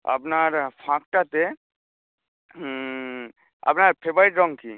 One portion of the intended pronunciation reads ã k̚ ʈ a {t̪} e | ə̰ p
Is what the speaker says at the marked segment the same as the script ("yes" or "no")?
yes